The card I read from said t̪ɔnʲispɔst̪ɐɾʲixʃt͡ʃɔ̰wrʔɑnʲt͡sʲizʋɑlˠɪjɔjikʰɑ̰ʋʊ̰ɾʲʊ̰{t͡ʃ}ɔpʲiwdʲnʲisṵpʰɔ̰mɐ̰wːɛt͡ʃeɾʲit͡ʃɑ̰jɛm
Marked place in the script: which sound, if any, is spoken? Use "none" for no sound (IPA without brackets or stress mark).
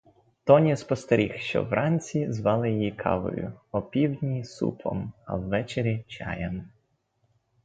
none